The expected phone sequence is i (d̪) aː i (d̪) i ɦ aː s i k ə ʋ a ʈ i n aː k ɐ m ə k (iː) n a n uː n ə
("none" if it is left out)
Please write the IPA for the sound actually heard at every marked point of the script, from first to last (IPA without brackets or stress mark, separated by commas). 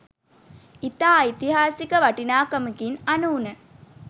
t̪, t̪, i